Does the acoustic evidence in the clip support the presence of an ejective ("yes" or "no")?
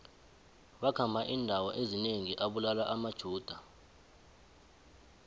no